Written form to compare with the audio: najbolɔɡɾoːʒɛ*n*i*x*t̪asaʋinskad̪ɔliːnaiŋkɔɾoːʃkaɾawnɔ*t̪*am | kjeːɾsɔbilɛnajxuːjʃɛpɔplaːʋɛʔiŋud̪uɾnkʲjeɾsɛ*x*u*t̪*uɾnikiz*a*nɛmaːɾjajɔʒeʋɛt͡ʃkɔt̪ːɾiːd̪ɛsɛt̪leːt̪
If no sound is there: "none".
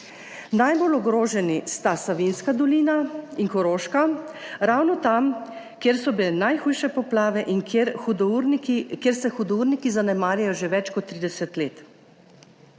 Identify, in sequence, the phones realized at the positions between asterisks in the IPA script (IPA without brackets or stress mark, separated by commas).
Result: n, s, t̪, x, d̪, a